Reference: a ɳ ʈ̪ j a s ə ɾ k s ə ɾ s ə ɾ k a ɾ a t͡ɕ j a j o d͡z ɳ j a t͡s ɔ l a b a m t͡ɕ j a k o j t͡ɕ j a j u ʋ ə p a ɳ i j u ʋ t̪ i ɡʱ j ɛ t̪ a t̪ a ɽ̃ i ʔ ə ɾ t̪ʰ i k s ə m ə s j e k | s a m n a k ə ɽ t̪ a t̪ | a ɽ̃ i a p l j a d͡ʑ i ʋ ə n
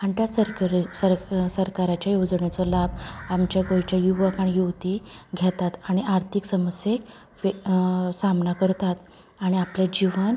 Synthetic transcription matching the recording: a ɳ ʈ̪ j a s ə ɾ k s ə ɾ s ə ɾ k a ɾ a t͡ɕ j a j o d͡z ɳ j a t͡s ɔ l a b a m t͡ɕ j a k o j t͡ɕ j a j u ʋ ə k a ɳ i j u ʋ t̪ i ɡʱ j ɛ t̪ a t̪ a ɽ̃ i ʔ a ɾ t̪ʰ i k s ə m ə s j e k | s a m n a k ə ɾ t̪ a t̪ | a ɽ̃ i a p l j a d͡ʑ i ʋ ə n